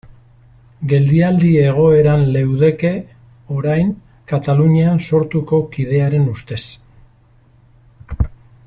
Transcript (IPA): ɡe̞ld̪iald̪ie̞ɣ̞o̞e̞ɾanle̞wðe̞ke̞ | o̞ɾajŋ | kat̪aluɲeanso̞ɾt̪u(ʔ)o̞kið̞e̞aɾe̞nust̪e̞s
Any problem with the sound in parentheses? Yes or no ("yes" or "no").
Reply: yes